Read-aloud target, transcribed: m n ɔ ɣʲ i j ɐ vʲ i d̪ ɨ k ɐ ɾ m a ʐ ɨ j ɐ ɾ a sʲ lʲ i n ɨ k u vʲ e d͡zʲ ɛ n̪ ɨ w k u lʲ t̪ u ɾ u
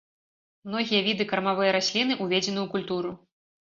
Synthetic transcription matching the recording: m n ɔ ɣʲ i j ɐ vʲ i d̪ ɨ k ɐ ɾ m a v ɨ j ɐ ɾ a sʲ lʲ i n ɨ ʔ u vʲ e d͡zʲ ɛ n̪ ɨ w k u lʲ t̪ u ɾ u

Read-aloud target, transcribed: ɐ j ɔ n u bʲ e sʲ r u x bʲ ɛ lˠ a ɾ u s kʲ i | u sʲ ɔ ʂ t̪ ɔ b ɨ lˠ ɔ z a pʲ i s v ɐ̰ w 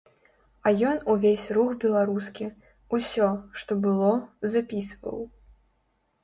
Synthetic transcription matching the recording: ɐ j ɔ n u vʲ e sʲ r u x bʲ ɛ lˠ a ɾ u s kʲ i | u sʲ ɔ ʂ t̪ ɔ b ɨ lˠ ɔ z a pʲ i s v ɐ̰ w

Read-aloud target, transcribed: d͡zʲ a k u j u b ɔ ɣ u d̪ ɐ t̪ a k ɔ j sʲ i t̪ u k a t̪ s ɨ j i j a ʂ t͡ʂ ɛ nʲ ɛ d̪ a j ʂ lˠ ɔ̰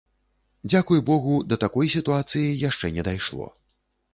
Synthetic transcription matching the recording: d͡zʲ a k u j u b ɔ ɣ u d̪ ɐ t̪ a k ɔ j sʲ i t̪ u a t̪ s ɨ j i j a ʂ t͡ʂ ɛ nʲ ɛ d̪ a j ʂ lˠ ɔ̰

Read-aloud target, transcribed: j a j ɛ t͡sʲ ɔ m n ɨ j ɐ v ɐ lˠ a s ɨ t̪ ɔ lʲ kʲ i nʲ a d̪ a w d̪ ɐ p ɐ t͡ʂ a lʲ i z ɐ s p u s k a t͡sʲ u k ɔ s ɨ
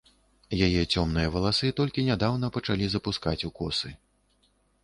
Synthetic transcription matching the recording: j a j ɛ t͡sʲ ɔ m n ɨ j ɐ v ɐ lˠ a s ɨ t̪ ɔ lʲ kʲ i nʲ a d̪ a w n̪ ɐ p ɐ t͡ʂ a lʲ i z ɐ p u s k a t͡sʲ u k ɔ s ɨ

